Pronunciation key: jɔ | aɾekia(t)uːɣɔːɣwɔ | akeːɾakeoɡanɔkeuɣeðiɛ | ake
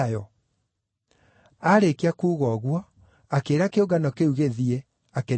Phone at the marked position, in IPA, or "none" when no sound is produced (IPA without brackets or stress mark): k